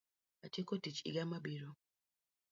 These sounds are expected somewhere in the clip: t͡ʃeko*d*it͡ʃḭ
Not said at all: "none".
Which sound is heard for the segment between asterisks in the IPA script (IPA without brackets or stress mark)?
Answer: t